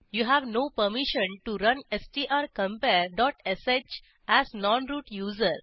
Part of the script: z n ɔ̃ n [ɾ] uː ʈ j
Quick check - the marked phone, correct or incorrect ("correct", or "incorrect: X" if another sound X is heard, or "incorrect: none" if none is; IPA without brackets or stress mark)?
correct